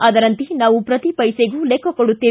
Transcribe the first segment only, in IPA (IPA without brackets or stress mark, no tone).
ɐ